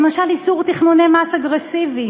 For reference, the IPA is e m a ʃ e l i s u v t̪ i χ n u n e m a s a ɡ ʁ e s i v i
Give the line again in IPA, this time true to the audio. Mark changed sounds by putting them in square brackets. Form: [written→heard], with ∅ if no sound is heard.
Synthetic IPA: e m a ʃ [e→a] l i s u [v→ʁ] t̪ i χ n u n e m a s a ɡ ʁ e s i v i